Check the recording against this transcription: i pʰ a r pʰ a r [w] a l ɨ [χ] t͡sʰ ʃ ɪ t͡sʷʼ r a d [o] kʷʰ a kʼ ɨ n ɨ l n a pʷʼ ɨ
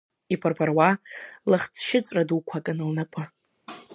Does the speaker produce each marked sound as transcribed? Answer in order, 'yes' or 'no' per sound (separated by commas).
yes, yes, no